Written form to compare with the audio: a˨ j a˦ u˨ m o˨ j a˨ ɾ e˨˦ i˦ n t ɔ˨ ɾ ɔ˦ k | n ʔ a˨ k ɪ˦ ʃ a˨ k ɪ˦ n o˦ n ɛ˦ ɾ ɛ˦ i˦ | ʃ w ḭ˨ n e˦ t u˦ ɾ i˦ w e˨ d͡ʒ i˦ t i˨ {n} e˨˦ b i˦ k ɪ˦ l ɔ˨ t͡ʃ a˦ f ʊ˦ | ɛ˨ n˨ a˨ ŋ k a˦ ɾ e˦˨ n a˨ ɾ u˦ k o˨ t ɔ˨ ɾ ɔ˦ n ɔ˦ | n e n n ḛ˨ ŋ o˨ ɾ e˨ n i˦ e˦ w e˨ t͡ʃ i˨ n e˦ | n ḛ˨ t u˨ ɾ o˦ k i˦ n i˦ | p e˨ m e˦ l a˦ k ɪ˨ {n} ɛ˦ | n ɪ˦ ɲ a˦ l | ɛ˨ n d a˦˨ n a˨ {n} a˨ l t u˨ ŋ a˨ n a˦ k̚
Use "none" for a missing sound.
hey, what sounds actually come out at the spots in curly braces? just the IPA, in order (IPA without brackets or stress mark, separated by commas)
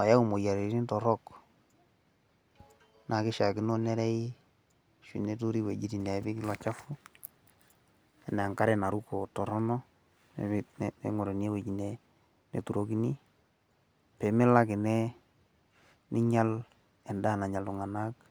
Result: n, n, ɲ